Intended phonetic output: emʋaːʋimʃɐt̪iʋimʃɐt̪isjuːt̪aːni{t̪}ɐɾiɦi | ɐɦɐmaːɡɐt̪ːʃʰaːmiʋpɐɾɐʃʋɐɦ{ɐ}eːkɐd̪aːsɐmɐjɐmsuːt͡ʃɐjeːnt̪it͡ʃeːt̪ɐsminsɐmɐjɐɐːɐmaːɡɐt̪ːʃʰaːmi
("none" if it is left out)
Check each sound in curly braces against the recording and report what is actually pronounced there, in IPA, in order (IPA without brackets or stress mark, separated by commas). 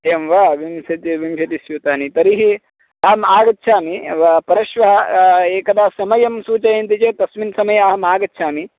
t̪, ɐ